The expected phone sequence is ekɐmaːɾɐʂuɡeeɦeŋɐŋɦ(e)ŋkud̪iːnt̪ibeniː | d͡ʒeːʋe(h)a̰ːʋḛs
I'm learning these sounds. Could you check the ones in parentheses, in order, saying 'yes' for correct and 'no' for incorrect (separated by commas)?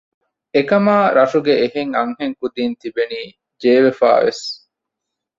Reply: yes, no